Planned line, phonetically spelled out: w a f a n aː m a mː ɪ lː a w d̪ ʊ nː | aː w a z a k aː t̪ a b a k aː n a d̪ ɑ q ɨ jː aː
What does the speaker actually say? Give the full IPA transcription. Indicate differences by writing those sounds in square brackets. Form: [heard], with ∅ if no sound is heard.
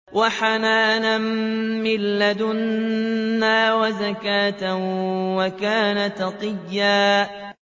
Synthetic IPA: w a [ħ] a n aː [n] a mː ɪ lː a [∅] d̪ ʊ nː | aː w a z a k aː t̪ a [w] a k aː n a [t̪] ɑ q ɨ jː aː